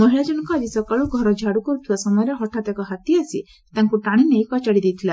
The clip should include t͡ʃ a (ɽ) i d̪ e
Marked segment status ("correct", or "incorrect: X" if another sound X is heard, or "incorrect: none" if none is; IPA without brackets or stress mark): correct